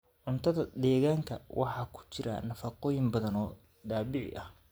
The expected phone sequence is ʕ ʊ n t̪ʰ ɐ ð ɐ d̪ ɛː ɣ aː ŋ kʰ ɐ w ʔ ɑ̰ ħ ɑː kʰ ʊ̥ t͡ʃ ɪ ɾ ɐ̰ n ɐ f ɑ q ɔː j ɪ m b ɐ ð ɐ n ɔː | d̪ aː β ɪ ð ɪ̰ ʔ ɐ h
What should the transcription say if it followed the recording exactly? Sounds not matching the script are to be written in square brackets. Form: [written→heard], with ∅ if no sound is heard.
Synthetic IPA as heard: ʕ ʊ n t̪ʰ ɐ ð ɐ d̪ ɛː ɣ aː ŋ kʰ ɐ w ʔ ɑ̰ ħ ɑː kʰ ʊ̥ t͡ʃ ɪ ɾ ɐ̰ n ɐ f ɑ q ɔː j ɪ m b ɐ ð ɐ n ɔː | d̪ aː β ɪ [ð→ʕ] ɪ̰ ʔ ɐ h